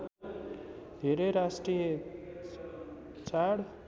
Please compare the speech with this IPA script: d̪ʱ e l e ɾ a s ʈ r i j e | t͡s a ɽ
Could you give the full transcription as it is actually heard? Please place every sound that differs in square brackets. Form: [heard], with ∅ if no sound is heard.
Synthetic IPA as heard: d̪ʱ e [ɾ] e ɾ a s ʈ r i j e | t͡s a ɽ

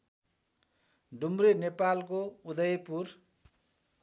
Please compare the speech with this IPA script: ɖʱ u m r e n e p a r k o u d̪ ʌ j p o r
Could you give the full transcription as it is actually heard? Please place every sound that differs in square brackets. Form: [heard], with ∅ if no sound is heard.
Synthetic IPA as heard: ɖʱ u m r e n e p a [l] k o u d̪ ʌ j p [u] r

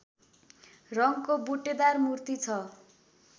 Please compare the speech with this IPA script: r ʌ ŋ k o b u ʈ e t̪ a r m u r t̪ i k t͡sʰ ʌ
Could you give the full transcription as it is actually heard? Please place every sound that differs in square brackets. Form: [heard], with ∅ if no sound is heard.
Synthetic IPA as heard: r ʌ ŋ k o b u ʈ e [d̪] a r m u r t̪ i [∅] t͡sʰ ʌ

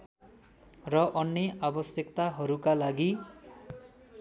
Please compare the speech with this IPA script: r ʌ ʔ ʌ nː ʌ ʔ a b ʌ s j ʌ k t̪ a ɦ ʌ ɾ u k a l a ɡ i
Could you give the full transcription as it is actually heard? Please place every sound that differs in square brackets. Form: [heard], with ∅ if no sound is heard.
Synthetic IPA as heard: r ʌ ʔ ʌ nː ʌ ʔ a b ʌ s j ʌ k t̪ a ɦ ʌ ɾ u k a l a ɡ i

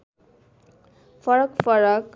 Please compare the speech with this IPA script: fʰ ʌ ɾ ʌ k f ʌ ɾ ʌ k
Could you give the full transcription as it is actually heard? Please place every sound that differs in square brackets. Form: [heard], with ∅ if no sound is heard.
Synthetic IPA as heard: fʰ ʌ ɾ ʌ k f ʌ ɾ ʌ k

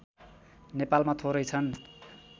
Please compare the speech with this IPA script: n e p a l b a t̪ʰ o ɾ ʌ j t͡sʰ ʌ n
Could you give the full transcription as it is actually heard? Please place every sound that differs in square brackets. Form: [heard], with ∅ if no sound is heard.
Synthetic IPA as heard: n e p a l [m] a t̪ʰ o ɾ ʌ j t͡sʰ ʌ n

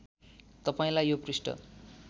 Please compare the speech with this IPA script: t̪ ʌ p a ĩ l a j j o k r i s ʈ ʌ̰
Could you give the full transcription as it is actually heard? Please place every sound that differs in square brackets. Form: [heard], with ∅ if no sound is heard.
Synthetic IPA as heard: t̪ ʌ p a ĩ l a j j o [p] r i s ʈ ʌ̰

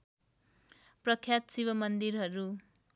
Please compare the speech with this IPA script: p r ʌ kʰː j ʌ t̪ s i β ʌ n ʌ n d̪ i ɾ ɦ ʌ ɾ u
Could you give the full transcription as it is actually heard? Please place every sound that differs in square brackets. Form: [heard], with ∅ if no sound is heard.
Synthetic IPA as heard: p r ʌ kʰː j [a] t̪ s i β ʌ [m] ʌ n d̪ i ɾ ɦ ʌ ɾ u

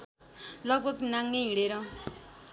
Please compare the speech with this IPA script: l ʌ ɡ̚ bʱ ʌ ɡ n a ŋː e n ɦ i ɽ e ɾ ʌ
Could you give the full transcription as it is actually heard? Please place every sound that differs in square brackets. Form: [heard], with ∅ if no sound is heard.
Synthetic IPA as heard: l ʌ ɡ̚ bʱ ʌ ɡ n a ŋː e [∅] ɦ i ɽ e ɾ ʌ

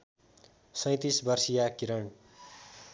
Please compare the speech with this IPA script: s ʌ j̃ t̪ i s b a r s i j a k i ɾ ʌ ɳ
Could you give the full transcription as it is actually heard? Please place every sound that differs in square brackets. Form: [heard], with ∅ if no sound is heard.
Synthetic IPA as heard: s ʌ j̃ t̪ i s b [ʌ] r s i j a k i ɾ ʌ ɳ

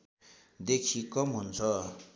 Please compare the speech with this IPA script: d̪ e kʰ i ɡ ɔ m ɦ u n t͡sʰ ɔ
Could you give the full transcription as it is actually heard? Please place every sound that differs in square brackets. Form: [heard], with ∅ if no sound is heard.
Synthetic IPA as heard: d̪ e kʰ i [k] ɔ m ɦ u n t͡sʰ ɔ

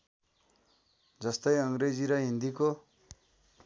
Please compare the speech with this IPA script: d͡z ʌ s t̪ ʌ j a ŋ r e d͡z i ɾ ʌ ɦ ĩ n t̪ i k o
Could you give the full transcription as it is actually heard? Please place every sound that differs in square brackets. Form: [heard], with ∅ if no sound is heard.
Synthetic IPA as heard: d͡z ʌ s t̪ ʌ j [ʌ] ŋ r e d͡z i ɾ ʌ ɦ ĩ n [d̪] i k o

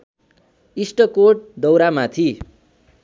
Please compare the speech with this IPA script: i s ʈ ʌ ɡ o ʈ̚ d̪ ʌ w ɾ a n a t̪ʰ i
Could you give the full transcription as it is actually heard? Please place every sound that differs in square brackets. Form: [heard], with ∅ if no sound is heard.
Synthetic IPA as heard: i s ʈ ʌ [k] o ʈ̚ d̪ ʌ w ɾ a [m] a t̪ʰ i

